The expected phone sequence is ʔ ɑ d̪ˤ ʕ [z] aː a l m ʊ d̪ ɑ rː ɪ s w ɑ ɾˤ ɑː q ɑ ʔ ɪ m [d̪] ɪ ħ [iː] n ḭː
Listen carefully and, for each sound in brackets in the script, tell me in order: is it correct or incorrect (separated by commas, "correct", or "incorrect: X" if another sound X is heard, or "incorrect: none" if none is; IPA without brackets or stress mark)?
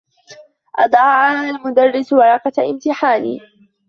incorrect: ʕ, incorrect: t̪, incorrect: aː